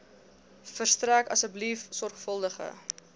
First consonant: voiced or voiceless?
voiceless